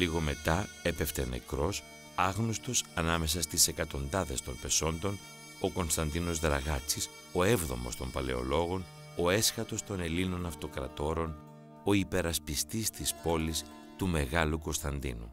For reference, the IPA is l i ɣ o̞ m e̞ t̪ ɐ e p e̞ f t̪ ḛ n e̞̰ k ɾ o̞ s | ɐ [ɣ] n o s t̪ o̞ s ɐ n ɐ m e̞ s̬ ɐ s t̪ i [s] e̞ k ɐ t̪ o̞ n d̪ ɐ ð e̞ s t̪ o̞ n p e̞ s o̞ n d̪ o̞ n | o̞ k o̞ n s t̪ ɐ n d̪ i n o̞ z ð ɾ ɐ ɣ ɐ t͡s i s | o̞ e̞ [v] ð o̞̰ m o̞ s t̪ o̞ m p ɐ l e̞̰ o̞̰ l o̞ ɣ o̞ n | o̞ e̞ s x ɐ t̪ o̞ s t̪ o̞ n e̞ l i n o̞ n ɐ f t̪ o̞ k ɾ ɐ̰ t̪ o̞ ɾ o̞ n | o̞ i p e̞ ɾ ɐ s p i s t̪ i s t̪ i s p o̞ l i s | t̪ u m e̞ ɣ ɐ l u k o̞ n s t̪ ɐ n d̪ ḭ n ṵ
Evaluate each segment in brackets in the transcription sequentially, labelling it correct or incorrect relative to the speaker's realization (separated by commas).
correct, correct, correct